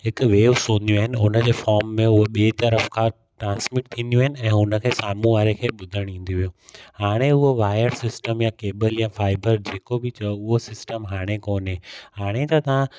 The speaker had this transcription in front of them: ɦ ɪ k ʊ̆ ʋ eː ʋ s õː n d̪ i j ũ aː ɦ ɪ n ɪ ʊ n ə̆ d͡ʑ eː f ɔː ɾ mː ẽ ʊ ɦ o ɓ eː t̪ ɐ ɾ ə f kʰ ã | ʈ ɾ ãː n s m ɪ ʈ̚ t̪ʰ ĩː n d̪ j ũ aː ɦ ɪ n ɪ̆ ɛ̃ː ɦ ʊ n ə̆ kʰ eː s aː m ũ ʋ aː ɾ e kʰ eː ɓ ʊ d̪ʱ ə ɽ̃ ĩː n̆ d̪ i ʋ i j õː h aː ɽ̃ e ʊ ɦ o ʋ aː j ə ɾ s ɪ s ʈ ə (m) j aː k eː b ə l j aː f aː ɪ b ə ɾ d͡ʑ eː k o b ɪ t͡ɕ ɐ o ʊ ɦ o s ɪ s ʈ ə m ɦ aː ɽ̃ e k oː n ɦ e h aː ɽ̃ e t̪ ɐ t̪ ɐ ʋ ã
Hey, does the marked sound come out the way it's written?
yes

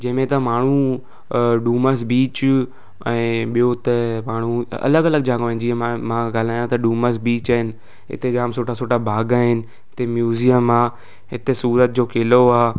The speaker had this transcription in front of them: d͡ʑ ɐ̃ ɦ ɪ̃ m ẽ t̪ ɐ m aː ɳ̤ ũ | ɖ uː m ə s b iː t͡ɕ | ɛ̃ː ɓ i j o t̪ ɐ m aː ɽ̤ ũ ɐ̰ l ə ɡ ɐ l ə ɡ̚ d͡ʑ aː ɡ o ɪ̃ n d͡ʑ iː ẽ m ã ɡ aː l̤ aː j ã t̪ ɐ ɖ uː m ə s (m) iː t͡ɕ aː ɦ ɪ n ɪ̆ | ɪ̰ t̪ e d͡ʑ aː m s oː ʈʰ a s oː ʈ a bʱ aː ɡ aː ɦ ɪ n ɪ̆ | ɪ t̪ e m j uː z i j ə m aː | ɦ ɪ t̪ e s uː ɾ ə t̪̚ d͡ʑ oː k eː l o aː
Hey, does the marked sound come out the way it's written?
no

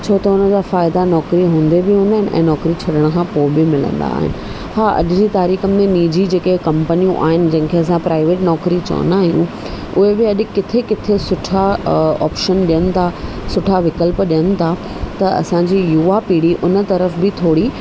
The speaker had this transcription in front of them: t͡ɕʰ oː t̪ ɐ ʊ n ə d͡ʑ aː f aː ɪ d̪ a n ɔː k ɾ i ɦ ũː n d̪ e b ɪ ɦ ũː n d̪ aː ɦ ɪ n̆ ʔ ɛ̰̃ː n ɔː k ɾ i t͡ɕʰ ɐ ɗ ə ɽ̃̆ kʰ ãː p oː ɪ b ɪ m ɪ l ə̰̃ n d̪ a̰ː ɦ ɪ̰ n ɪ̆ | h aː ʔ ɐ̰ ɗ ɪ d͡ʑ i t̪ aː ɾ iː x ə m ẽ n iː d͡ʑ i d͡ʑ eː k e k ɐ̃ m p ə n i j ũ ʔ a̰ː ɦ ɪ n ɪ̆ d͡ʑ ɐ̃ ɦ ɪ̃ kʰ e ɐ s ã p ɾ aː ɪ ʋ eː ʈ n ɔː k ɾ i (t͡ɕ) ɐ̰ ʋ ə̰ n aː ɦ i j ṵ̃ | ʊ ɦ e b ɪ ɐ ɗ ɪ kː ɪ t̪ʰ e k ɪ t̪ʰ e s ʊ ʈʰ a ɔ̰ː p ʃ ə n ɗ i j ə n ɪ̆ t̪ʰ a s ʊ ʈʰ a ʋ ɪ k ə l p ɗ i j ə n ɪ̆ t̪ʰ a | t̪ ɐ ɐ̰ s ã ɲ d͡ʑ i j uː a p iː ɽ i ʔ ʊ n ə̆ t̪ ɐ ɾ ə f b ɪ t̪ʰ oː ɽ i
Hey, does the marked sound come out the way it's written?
yes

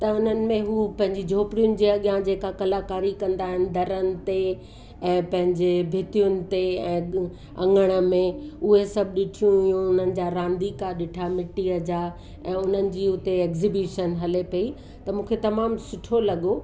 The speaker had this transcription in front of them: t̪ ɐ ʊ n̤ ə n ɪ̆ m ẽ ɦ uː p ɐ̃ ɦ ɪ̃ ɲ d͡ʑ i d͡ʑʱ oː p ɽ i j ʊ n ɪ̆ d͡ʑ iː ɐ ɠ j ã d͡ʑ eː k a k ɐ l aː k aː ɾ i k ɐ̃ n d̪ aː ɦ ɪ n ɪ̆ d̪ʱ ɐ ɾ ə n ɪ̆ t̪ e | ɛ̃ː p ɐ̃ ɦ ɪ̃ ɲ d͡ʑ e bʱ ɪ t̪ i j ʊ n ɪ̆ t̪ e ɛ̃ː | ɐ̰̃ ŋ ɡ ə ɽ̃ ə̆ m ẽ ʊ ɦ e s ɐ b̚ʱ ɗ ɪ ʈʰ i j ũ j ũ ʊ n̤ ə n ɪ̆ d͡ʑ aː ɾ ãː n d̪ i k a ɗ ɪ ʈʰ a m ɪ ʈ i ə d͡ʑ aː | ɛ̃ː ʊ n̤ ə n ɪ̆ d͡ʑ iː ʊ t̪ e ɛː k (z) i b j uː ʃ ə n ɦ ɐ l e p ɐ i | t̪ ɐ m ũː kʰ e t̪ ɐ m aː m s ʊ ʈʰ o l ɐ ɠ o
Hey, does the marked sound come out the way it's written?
yes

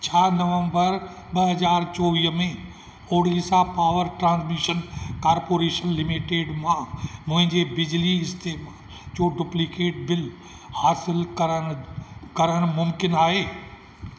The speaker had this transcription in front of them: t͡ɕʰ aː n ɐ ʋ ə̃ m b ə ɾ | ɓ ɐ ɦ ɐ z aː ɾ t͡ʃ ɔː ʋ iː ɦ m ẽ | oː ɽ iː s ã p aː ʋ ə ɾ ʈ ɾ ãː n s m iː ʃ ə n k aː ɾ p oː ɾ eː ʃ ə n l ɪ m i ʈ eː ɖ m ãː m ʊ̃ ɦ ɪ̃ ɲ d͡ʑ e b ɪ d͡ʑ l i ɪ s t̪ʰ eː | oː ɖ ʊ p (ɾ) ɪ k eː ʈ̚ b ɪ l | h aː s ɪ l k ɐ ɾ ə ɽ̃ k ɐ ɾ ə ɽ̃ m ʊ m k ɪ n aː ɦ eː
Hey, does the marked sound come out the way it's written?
no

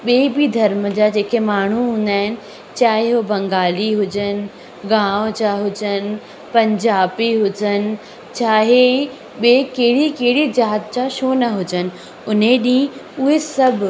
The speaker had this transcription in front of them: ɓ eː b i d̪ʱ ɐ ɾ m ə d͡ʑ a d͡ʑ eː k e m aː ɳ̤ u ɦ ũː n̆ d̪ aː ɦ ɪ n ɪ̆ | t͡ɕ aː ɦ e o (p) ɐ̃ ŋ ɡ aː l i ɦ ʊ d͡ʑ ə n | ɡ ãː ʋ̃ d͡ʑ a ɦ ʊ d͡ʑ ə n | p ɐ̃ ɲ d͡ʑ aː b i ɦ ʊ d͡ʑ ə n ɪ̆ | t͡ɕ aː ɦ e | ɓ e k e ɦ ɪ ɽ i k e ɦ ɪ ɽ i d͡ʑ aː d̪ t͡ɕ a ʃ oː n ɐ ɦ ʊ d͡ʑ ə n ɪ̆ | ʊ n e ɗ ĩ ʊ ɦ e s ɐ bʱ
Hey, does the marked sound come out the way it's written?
no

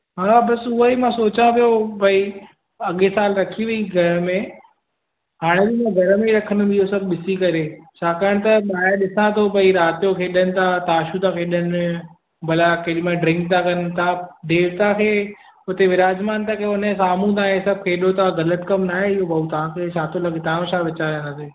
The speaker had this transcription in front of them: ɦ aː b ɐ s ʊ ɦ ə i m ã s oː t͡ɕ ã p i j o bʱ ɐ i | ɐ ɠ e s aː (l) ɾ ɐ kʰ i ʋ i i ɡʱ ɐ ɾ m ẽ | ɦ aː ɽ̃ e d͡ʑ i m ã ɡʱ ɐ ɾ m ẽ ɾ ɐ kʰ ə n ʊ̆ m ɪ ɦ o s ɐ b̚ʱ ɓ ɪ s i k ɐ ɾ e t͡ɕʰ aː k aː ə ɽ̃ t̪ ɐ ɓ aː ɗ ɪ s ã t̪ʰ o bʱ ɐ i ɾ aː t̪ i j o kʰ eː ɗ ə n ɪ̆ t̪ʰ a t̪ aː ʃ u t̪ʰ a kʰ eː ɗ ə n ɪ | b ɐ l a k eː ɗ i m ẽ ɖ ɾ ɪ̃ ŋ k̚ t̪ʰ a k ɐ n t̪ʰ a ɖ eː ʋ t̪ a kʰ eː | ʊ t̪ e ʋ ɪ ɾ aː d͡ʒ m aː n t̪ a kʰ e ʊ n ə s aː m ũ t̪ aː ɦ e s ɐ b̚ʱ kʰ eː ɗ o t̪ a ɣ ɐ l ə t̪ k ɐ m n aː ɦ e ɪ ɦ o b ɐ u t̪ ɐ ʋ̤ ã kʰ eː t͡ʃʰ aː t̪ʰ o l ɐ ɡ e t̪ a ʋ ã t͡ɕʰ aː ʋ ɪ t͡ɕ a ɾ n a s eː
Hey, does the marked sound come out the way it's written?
yes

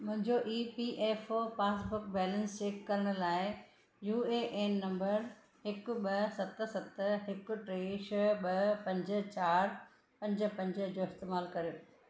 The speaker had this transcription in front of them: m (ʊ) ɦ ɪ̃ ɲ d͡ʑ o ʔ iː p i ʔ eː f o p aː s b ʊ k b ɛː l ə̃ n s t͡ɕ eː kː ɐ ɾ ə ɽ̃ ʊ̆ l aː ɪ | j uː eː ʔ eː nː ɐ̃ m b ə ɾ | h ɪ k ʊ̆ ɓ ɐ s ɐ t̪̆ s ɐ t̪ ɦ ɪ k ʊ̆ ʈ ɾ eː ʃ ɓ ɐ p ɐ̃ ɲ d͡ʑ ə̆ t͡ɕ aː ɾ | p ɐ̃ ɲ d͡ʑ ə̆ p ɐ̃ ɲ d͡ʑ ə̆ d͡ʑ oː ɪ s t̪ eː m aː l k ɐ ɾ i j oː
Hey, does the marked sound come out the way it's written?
no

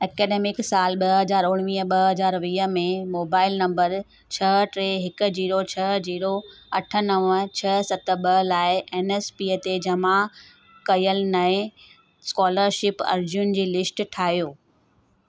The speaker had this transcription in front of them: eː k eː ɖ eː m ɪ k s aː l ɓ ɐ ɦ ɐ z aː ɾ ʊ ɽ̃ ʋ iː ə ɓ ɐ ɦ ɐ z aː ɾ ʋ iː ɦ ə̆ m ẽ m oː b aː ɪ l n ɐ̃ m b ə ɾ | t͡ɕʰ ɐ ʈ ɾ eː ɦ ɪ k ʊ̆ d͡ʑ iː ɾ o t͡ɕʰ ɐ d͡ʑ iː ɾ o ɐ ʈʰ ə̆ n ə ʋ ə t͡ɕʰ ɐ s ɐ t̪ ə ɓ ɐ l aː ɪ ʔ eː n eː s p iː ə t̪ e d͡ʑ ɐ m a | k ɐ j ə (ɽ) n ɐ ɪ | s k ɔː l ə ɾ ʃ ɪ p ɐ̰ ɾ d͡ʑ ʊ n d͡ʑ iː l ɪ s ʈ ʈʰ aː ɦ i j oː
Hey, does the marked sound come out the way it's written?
no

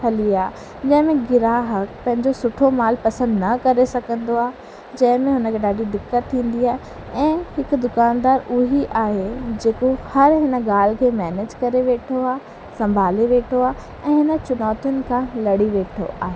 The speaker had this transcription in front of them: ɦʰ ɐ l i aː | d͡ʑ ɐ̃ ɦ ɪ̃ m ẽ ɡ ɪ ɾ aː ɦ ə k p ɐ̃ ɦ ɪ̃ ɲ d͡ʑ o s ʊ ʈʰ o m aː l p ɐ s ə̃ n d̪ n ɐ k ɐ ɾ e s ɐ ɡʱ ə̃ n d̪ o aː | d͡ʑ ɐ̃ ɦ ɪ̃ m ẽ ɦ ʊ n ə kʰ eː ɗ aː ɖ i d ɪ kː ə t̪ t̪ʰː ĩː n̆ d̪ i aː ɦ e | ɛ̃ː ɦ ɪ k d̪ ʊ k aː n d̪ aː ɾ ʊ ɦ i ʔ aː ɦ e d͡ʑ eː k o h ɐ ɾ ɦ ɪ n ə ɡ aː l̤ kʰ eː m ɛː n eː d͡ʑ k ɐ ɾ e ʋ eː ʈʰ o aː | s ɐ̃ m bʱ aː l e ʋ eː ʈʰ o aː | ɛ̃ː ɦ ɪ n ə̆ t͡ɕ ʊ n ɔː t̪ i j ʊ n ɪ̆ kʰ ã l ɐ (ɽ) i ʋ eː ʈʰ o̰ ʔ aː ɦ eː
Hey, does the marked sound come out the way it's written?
yes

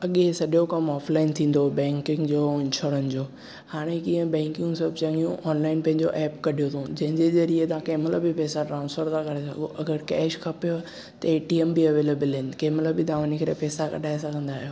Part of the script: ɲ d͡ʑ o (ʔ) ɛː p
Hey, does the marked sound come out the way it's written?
yes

